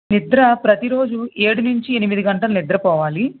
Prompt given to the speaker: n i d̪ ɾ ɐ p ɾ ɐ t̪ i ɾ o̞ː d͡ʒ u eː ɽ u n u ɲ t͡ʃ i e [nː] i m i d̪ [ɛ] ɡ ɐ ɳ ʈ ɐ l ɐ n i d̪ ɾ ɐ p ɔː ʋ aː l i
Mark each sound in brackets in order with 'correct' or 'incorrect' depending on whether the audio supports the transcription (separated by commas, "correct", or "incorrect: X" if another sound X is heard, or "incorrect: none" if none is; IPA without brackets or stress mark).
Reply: incorrect: n, incorrect: i